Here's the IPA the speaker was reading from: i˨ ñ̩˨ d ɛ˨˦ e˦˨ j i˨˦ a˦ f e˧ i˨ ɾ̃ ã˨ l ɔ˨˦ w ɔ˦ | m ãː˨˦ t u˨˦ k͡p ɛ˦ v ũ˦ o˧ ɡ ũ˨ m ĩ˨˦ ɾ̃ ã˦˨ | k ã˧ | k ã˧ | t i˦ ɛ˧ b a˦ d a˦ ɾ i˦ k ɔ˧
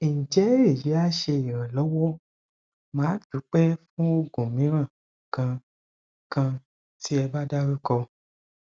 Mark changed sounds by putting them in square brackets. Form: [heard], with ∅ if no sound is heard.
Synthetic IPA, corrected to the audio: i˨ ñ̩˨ [d͡ʒ] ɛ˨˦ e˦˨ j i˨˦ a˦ [ʃ] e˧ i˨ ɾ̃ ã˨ l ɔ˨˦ w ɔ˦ | m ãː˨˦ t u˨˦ k͡p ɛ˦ [f] ũ˦ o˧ ɡ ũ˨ m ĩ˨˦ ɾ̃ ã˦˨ | k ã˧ | k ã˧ | t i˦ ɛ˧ b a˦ d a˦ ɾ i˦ k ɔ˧